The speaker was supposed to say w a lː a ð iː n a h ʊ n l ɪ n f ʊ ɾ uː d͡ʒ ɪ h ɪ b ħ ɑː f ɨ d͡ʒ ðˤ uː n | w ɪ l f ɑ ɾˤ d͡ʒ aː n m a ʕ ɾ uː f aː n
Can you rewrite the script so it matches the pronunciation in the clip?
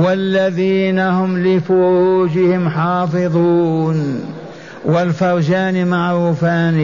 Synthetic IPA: w a lː a ð iː n a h ʊ m l ɪ f ʊ ɾ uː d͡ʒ ɪ h ɪ m ħ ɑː f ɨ ðˤ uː n | w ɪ l f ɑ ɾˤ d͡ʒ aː n m a ʕ ɾ uː f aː n